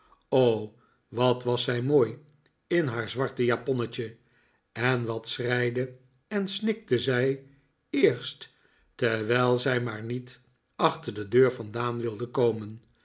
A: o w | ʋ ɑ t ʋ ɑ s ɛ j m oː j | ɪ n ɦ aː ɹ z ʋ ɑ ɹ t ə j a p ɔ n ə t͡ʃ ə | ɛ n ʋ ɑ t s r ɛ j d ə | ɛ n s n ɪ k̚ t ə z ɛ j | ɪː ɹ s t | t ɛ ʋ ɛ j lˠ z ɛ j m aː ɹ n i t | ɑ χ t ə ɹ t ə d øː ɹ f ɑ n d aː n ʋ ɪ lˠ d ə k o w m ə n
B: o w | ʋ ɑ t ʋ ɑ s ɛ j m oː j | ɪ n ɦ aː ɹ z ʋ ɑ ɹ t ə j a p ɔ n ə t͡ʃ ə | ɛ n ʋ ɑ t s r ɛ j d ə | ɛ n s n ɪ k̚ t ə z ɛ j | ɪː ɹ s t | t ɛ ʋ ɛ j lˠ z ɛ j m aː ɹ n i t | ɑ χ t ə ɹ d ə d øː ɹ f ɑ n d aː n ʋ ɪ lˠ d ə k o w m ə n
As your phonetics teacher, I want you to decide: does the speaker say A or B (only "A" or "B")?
B